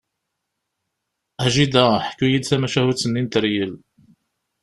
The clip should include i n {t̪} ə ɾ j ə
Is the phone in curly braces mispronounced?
no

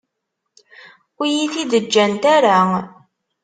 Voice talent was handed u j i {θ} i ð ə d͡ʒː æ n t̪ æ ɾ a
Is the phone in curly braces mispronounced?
no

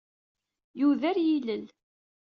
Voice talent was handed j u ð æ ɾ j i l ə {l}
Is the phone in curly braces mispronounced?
no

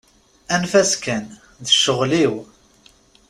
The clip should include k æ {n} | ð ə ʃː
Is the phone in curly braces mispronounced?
no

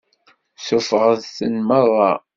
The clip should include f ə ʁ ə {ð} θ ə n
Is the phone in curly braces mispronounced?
no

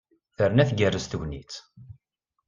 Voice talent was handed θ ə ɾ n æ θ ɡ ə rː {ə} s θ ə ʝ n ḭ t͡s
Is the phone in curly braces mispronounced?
no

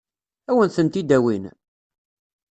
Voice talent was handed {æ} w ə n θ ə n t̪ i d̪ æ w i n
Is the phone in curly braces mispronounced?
no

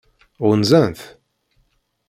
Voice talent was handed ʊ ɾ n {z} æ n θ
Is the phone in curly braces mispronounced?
no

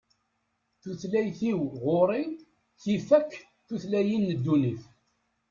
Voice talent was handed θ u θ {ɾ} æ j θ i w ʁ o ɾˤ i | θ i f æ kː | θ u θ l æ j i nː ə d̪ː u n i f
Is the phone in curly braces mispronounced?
yes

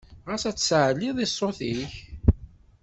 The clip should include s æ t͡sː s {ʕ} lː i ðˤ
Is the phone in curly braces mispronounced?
no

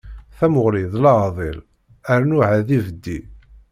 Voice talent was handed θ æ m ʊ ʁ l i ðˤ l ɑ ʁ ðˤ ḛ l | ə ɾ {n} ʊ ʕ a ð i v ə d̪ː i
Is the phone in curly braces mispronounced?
no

